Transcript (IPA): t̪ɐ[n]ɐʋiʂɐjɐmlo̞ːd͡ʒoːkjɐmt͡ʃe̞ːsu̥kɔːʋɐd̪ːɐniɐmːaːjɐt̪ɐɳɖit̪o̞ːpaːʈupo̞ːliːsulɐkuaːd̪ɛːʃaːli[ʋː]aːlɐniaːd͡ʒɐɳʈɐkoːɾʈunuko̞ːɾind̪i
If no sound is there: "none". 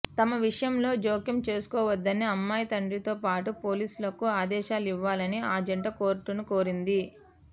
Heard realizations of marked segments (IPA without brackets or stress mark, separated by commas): m, ʋː